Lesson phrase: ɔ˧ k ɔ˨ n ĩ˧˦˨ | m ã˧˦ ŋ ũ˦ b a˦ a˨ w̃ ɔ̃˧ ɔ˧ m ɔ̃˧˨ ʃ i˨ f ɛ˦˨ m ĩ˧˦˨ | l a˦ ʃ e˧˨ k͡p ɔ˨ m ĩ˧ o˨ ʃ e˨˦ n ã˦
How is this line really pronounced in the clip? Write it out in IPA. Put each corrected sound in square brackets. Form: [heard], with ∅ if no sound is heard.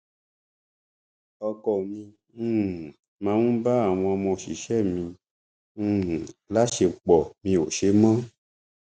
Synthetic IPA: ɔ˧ k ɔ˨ [m] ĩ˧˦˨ | m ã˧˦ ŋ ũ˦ b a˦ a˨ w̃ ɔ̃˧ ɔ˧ m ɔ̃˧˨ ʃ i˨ [ʃ] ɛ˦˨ m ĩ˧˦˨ | l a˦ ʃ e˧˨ k͡p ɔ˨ m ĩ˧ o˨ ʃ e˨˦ [m] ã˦